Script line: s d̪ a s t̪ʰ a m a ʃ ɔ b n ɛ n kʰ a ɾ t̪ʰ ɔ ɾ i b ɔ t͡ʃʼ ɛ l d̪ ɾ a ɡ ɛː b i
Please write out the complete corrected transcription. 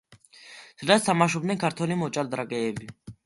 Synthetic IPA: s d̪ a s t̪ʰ a m a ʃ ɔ b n ɛ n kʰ a ɾ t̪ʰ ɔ l i m ɔ t͡ʃʼ a l d̪ ɾ a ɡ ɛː b i